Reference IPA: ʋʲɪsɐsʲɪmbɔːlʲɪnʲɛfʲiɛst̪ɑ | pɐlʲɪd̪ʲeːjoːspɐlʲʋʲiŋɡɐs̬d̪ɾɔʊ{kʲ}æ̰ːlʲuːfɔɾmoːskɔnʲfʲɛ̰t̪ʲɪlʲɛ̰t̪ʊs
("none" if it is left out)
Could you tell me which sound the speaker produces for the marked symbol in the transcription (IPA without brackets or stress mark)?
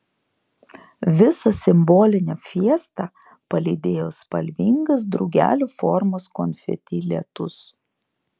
ɡʲ